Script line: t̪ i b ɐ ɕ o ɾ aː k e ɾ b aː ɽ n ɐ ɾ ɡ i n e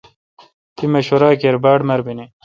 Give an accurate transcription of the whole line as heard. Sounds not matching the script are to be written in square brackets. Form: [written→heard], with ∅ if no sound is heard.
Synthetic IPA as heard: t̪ i [b→m] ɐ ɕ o ɾ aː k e ɾ b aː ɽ [n→m] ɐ ɾ [ɡ→b] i n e